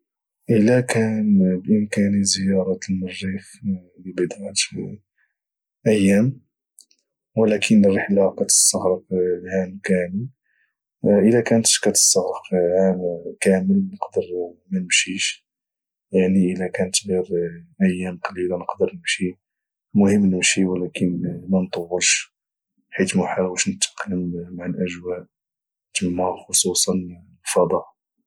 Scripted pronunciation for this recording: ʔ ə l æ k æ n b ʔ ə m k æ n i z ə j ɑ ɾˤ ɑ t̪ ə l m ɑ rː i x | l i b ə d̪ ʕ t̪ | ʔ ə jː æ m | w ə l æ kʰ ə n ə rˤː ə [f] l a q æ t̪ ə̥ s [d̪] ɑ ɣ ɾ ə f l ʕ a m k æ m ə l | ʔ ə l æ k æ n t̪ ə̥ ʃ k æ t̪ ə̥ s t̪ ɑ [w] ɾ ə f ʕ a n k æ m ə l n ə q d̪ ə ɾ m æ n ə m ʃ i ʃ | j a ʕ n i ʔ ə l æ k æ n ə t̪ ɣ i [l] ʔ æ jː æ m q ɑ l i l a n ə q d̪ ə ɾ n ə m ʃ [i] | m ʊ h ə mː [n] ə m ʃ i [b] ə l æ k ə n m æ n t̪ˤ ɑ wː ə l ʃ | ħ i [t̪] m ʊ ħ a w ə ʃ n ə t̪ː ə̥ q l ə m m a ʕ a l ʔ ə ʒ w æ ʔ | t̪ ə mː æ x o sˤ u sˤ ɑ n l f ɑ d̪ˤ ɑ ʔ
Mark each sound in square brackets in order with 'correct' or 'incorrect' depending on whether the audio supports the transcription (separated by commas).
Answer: incorrect, incorrect, incorrect, incorrect, correct, correct, incorrect, correct